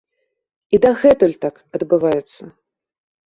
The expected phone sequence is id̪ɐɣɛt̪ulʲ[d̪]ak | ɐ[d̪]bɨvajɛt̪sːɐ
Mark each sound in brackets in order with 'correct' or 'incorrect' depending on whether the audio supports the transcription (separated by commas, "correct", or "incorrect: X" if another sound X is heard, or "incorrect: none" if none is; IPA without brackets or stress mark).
incorrect: t̪, correct